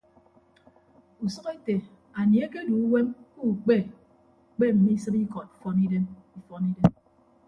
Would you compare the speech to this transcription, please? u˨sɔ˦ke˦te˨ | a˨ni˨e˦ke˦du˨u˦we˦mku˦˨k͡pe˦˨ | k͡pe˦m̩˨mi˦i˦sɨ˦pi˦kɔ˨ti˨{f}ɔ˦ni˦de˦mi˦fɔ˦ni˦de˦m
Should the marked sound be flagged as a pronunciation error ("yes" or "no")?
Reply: no